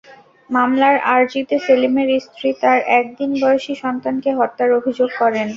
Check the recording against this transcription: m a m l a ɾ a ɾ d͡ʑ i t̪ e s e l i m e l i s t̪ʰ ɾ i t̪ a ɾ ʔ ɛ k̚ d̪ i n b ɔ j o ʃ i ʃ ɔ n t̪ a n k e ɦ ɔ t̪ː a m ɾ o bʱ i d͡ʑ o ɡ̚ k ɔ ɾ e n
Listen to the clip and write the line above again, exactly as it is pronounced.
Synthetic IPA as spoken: m a m l a ɾ a ɾ d͡ʑ i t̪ e s e l i m e ɾ i s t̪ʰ ɾ i t̪ a ɾ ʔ ɛ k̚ d̪ i n b ɔ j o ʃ i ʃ ɔ n t̪ a n k e ɦ ɔ t̪ː a ɾ o bʱ i d͡ʑ o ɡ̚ k ɔ ɾ e n